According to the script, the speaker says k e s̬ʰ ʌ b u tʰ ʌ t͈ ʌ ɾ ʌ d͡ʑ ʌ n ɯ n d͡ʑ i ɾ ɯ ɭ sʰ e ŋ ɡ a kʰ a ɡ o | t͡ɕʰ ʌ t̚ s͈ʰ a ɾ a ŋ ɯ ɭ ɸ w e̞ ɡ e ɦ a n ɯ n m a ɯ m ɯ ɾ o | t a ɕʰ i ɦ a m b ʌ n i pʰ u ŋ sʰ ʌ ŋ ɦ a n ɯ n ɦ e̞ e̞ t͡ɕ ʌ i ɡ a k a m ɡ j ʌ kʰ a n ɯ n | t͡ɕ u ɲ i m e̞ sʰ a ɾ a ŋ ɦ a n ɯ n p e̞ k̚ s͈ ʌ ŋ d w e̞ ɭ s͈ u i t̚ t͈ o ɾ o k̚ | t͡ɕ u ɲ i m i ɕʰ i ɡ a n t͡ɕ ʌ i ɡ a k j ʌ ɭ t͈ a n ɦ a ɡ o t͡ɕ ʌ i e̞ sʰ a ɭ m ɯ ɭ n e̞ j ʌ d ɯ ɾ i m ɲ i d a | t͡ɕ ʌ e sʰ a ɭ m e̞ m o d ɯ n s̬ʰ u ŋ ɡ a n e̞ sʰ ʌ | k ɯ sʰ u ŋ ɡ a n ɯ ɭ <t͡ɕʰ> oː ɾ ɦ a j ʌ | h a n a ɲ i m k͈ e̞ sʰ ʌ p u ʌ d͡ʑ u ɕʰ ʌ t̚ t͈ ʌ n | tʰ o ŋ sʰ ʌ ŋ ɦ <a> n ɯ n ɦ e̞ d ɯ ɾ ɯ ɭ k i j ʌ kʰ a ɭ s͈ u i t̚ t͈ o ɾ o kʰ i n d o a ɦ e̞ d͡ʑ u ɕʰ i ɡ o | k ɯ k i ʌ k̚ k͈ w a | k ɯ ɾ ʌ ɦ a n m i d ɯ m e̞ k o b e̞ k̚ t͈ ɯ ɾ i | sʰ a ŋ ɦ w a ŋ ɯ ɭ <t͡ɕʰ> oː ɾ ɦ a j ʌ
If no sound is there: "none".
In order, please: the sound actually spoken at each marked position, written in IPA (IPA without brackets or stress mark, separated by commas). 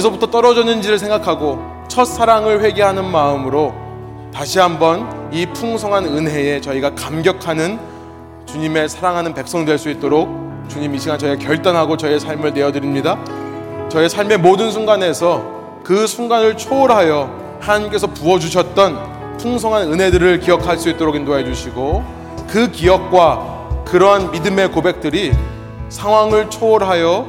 t͡ɕʰ, a, t͡ɕʰ